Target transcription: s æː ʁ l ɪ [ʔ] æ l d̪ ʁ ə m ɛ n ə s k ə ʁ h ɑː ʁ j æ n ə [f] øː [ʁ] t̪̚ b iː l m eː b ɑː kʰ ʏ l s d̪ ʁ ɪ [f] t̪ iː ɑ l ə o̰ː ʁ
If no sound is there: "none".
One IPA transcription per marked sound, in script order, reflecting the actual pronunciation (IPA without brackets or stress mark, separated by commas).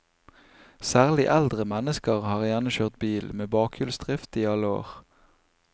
ʔ, ʃ, ʁ, f